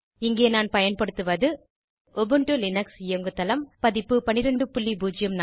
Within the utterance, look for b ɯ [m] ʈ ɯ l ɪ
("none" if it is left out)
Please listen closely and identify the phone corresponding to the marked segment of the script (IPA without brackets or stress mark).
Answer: ɳ